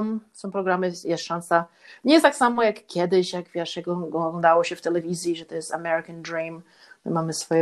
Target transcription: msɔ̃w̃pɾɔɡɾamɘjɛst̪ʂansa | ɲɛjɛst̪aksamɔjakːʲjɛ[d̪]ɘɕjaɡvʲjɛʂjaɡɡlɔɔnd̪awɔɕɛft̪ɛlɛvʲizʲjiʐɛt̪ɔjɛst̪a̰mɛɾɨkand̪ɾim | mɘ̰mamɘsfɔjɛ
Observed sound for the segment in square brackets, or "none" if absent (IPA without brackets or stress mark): d̪